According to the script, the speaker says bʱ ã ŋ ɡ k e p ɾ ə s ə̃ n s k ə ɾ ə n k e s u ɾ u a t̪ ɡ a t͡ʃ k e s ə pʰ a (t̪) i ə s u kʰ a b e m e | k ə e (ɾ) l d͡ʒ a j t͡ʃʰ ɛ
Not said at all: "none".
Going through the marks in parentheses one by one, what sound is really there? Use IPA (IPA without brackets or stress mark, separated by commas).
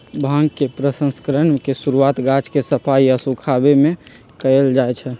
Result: none, none